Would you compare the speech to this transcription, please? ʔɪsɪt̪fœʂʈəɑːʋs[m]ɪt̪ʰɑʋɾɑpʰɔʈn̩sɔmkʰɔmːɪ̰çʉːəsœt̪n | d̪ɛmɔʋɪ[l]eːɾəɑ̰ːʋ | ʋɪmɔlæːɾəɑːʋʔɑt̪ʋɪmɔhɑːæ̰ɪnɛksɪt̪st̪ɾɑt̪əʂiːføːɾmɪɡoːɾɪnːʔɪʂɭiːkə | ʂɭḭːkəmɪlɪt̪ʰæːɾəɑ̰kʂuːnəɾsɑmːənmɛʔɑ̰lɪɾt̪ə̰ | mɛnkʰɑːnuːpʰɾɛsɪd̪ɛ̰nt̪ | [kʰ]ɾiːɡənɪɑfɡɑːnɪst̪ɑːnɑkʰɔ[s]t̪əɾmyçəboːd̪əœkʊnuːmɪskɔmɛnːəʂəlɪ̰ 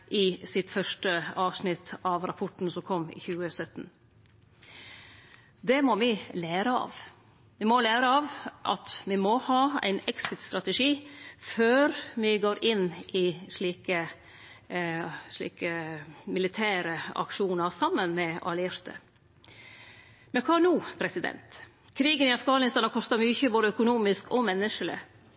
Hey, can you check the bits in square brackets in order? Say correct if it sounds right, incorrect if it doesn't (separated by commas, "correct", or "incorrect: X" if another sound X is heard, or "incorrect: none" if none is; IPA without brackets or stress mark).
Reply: incorrect: n, correct, correct, correct